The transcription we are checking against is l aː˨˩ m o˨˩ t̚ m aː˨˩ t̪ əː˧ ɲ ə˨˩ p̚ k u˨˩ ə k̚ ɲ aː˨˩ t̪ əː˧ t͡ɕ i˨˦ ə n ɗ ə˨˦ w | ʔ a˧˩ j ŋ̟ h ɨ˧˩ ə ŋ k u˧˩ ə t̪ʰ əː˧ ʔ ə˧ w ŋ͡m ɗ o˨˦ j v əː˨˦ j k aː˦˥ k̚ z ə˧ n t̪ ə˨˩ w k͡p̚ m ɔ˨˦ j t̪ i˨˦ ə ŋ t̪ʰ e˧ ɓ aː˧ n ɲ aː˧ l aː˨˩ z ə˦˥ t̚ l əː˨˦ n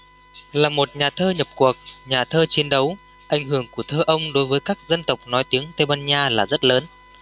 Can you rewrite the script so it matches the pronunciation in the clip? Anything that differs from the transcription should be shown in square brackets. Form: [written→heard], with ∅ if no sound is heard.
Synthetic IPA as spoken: l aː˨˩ m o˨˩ t̚ [m→ɲ] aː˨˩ [t̪→t̪ʰ] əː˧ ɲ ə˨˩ p̚ k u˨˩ ə k̚ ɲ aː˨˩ [t̪→t̪ʰ] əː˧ t͡ɕ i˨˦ ə n ɗ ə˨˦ w | ʔ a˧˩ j ŋ̟ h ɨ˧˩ ə ŋ k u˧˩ ə t̪ʰ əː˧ ʔ ə˧ w ŋ͡m ɗ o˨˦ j v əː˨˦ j k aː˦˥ k̚ z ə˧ n t̪ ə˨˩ w k͡p̚ [m→n] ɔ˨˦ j t̪ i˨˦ ə ŋ [t̪ʰ→t̪] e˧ ɓ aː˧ n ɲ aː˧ l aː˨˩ z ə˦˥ t̚ l əː˨˦ n